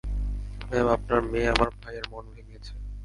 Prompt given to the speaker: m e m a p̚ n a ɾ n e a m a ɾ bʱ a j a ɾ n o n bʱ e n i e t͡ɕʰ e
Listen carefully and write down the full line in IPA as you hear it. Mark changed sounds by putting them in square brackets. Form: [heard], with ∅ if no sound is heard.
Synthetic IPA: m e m a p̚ n a ɾ [m] e a m a ɾ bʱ a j [e] ɾ [m] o n bʱ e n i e t͡ɕʰ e